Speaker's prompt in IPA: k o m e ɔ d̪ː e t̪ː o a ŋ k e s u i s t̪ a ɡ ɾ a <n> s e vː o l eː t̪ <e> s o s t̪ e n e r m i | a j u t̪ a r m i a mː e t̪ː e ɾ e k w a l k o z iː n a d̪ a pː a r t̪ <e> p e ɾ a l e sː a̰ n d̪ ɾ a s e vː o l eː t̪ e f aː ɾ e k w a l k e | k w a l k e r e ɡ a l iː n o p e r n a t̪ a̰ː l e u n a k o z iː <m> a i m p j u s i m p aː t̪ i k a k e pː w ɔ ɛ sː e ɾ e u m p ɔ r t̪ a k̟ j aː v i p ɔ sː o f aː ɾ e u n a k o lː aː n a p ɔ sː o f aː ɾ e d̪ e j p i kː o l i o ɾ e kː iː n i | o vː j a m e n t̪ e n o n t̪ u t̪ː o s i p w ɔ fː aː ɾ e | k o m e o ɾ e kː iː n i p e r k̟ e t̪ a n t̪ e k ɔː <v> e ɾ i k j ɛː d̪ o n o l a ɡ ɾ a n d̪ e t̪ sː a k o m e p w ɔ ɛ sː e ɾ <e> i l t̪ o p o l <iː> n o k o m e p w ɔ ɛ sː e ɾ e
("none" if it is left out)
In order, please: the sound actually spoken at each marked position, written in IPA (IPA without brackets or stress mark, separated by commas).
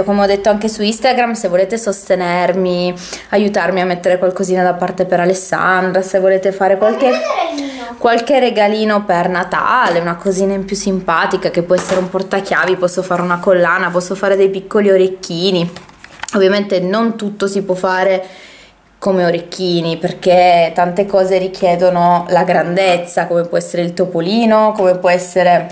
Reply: m, e, e, n, z, e, iː